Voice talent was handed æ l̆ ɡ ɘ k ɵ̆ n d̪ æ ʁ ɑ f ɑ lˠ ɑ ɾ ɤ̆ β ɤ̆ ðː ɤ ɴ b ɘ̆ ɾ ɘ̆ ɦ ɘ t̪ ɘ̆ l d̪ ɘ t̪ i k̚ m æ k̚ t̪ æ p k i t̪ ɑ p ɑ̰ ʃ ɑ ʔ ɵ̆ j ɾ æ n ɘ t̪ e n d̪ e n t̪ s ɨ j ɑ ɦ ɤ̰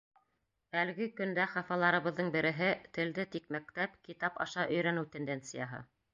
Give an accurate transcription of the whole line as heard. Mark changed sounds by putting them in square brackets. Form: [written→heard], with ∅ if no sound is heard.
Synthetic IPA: æ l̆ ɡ ɘ k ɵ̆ n d̪ æ [ʁ→χ] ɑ f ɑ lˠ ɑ ɾ ɤ̆ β ɤ̆ ðː ɤ ɴ b ɘ̆ ɾ ɘ̆ ɦ ɘ t̪ ɘ̆ l d̪ ɘ t̪ i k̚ m æ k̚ t̪ æ p k i t̪ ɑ p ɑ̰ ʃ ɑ ʔ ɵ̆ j ɾ æ n ɘ t̪ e n d̪ e n t̪ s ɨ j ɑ ɦ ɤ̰

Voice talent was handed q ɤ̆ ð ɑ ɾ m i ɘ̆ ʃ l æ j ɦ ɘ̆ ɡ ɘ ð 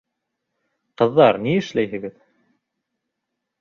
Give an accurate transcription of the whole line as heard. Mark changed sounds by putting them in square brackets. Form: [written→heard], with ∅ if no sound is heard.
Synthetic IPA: q ɤ̆ [ð→ðː] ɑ ɾ [m→n] i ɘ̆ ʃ l æ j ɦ ɘ̆ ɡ ɘ ð

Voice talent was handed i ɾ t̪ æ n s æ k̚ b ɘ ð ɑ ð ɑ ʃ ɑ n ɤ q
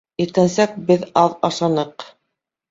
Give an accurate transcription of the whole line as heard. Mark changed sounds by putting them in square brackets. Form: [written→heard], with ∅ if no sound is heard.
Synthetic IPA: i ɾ t̪ æ n s æ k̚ b ɘ ð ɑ ð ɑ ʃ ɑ n ɤ q

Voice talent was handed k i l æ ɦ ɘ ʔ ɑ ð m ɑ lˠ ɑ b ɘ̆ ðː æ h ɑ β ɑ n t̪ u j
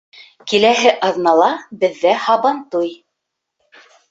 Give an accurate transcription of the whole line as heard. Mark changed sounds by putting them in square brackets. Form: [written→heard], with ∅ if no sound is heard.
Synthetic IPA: k i l æ ɦ ɘ ʔ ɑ ð [m→n] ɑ lˠ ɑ b ɘ̆ ðː æ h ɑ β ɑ n t̪ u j

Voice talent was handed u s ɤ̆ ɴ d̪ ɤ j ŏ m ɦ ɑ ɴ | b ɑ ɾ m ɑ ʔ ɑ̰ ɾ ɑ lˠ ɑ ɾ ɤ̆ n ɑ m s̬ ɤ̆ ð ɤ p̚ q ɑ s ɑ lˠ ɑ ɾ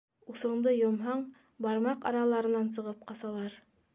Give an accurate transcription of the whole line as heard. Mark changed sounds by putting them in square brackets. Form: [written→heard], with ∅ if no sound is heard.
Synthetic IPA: u s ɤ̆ ɴ d̪ ɤ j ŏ m ɦ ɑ ɴ | b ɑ ɾ m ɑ [ʔ→q] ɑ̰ ɾ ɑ lˠ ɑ ɾ ɤ̆ n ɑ [m→n] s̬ ɤ̆ [ð→ʁ] ɤ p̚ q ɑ s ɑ lˠ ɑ ɾ

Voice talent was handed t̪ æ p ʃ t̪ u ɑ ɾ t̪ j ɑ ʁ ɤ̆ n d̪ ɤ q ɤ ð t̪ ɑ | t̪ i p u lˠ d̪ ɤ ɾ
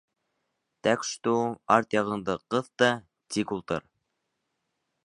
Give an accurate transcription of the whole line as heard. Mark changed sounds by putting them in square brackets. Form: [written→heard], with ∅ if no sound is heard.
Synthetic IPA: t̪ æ [p→k] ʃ t̪ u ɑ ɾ t̪ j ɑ ʁ ɤ̆ n d̪ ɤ q ɤ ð t̪ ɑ | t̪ i [p→k] u lˠ [d̪→t̪] ɤ ɾ

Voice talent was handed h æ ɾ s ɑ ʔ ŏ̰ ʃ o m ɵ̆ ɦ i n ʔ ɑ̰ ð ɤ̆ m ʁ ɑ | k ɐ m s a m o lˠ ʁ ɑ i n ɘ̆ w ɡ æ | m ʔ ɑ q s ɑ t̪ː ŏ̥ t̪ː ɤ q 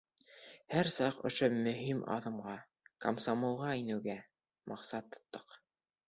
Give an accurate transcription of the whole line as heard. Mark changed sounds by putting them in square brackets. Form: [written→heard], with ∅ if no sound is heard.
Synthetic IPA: h æ ɾ s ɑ [ʔ→q] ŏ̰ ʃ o m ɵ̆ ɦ i [n→m] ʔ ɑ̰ ð ɤ̆ m ʁ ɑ | k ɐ m s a m o lˠ ʁ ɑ i n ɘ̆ w ɡ æ | m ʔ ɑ q s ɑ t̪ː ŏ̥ t̪ː ɤ q

